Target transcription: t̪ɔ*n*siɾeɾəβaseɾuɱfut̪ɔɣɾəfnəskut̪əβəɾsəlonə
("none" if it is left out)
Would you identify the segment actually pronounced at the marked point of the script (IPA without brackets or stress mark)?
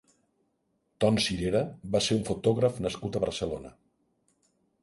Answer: n